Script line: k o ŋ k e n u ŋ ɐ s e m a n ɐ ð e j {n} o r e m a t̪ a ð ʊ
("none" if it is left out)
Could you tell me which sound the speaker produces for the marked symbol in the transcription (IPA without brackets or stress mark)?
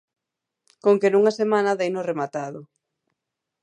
n